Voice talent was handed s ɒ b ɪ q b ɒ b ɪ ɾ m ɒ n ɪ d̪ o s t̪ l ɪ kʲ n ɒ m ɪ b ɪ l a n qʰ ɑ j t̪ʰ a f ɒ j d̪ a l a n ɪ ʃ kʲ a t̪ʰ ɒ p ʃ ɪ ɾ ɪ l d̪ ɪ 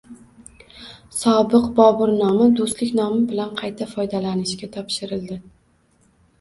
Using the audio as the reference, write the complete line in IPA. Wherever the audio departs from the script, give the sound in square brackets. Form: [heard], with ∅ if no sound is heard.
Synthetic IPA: s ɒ b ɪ q b ɒ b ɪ ɾ [n] ɒ [m] ɪ d̪ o s t̪ l ɪ kʲ n ɒ m ɪ b ɪ l a n qʰ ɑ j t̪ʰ a f ɒ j d̪ a l a n ɪ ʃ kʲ a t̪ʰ ɒ p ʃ ɪ ɾ ɪ l d̪ ɪ